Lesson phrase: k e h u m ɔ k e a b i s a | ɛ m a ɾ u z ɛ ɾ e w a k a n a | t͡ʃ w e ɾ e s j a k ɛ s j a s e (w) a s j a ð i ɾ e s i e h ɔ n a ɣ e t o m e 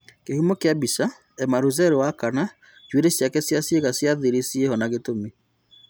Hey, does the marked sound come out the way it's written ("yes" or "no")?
no